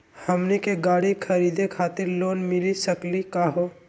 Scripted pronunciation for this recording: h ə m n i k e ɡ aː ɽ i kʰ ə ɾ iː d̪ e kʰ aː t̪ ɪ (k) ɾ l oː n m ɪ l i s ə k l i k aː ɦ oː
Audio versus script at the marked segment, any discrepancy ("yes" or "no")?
yes